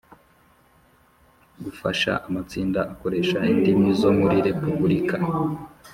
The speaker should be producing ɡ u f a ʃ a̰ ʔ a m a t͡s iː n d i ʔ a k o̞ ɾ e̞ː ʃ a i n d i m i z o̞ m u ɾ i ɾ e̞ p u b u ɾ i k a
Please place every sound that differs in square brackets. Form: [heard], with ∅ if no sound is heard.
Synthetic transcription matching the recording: ɡ u f a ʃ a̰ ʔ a m a t͡s iː n d [a] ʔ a k o̞ ɾ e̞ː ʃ a i n d i m i z o̞ m u ɾ i ɾ e̞ p u b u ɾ i k a